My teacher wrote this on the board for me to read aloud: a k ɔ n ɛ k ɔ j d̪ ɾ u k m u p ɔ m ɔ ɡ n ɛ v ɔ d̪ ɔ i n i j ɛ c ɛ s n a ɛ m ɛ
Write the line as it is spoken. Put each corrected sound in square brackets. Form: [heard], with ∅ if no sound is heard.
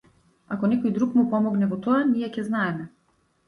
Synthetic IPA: a k ɔ n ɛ k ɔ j d̪ ɾ u k m u p ɔ m ɔ ɡ n ɛ v ɔ [t̪] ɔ [a] n i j ɛ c ɛ [z] n a ɛ m ɛ